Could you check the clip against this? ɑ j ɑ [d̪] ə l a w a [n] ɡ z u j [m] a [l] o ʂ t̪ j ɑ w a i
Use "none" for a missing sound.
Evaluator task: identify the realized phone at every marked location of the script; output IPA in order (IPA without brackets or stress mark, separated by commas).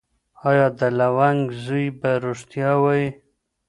d̪, ŋ, b, ɾ